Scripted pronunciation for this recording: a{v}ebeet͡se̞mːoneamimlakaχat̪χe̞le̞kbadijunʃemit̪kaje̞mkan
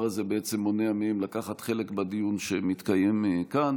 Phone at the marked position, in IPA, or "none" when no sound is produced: z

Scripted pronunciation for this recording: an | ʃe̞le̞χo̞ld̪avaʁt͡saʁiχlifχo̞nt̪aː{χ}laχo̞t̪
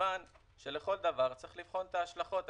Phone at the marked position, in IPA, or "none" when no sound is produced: ʃ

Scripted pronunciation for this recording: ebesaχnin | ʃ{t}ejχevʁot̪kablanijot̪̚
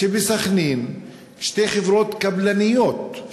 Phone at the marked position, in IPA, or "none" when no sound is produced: t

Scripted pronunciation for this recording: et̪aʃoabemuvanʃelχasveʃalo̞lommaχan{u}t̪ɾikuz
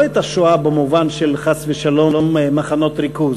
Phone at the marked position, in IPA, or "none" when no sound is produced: o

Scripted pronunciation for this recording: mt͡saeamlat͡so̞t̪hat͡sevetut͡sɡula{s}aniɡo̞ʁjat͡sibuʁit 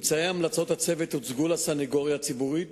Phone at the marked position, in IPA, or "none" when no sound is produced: s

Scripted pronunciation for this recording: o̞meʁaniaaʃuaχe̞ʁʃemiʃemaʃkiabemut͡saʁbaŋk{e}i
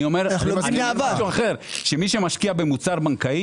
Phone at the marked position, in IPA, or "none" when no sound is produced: a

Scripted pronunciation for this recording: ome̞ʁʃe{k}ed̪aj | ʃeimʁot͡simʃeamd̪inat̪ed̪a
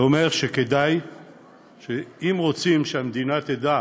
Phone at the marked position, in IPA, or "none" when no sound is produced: k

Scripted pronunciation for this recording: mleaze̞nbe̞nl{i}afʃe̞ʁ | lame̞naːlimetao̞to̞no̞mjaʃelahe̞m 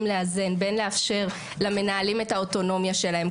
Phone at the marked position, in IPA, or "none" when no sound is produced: e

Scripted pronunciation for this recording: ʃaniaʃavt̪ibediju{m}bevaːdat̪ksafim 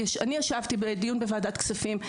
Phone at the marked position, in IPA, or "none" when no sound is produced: n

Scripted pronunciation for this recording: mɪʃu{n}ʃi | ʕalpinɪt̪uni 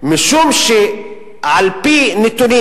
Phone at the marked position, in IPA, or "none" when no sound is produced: m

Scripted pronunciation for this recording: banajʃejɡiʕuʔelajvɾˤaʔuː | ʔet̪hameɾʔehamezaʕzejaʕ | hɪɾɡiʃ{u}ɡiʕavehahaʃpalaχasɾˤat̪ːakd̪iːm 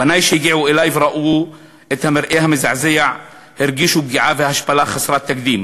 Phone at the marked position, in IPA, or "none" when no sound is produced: u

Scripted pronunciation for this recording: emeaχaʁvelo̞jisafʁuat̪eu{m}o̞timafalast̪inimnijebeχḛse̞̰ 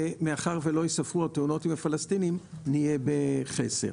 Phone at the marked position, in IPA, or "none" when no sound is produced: n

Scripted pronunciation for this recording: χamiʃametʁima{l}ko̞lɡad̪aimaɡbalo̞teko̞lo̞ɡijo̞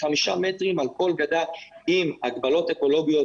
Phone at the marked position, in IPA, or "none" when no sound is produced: l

